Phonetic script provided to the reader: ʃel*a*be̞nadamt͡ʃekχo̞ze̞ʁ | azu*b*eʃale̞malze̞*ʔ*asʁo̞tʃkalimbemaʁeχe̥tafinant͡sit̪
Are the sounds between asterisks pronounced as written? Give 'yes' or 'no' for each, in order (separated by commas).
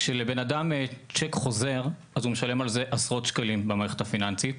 no, no, yes